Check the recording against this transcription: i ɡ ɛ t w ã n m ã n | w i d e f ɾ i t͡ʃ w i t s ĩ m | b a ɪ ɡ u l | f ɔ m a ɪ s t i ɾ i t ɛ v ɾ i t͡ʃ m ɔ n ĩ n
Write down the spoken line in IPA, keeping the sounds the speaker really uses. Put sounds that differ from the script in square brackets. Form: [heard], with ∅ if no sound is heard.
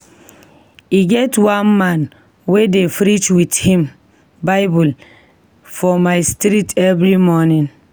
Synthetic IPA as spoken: i ɡ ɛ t w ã n m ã n | w [e] d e f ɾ i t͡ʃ w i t [h] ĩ m | b a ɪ [b] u l | f ɔ m a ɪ s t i ɾ i t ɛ v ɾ i [∅] m ɔ n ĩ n